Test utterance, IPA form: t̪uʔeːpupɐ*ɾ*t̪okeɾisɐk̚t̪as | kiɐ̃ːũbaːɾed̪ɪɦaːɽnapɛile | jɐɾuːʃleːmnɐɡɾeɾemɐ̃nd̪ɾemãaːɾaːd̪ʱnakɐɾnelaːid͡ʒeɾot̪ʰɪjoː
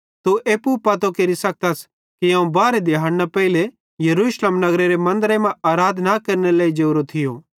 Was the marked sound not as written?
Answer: yes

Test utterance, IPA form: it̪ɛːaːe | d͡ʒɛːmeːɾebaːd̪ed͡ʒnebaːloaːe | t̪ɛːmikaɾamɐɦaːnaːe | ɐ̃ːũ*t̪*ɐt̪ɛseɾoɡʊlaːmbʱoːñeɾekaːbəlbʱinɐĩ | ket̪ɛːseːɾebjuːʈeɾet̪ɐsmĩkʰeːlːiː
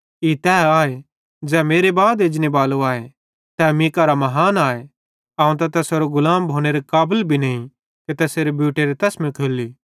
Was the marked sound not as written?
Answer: no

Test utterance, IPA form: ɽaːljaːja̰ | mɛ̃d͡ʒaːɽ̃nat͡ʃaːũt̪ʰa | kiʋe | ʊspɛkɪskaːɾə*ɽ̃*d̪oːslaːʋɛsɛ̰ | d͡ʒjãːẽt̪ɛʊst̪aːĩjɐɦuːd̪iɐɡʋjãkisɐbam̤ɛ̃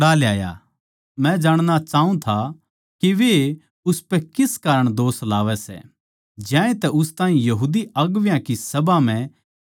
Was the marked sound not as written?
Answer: no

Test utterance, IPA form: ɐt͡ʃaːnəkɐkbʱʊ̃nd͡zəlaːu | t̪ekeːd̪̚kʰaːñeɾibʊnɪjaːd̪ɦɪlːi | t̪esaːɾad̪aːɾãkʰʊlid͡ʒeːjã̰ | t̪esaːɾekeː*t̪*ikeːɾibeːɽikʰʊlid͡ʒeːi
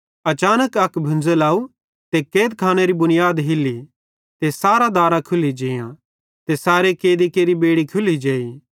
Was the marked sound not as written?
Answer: yes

